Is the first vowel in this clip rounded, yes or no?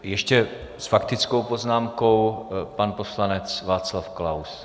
no